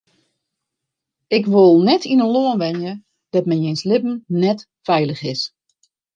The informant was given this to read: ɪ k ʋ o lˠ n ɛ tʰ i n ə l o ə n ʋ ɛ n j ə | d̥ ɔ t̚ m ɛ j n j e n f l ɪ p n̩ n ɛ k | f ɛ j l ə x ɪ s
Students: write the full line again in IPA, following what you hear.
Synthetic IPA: ɪ k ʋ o lˠ n ɛ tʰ i n ə l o ə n ʋ ɛ n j ə | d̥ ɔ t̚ m ɛ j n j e n s l ɪ p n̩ n ɛ t | f ɛ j l ə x ɪ s